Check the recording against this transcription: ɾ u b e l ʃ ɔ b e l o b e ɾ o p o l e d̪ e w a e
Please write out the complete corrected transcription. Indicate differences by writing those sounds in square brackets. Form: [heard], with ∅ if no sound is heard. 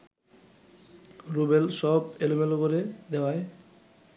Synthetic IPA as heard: ɾ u b e l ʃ ɔ b e l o [m] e [l] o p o [ɾ] e d̪ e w a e